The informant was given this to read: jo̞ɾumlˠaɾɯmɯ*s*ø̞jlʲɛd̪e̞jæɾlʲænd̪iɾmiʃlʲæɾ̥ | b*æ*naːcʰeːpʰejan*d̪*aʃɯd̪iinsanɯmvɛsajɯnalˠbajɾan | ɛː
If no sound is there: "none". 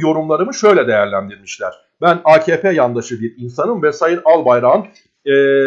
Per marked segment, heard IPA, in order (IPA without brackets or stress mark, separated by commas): ʃ, æ, d̪